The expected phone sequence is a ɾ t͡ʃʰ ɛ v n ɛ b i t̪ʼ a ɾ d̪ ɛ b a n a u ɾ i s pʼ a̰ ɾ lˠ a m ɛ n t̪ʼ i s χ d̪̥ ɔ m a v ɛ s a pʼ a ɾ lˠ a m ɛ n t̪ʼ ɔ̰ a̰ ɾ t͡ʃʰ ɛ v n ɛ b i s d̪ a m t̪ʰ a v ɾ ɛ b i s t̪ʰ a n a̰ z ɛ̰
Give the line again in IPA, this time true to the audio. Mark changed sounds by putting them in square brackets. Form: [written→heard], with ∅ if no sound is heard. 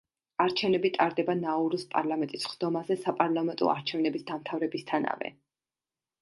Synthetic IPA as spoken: a ɾ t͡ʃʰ ɛ v n ɛ b i t̪ʼ a ɾ d̪ ɛ b a n a u ɾ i s pʼ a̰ ɾ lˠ a m ɛ n t̪ʼ i s χ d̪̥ ɔ m a [v→z] ɛ s a pʼ a ɾ lˠ a m ɛ n t̪ʼ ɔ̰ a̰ ɾ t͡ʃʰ ɛ v n ɛ b i s d̪ a m t̪ʰ a v ɾ ɛ b i s t̪ʰ a n a̰ [z→v] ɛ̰